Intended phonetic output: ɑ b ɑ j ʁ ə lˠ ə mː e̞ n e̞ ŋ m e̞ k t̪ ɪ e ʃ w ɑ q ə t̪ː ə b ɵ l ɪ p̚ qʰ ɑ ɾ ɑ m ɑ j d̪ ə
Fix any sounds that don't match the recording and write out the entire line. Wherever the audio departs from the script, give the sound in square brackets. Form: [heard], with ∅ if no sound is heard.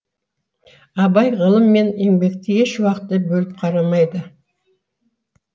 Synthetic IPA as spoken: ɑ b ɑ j ʁ ə lˠ ə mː e̞ n e̞ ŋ [b] e̞ k t̪ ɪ e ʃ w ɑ q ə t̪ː ə b ɵ l ɪ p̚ qʰ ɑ ɾ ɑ m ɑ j d̪ ə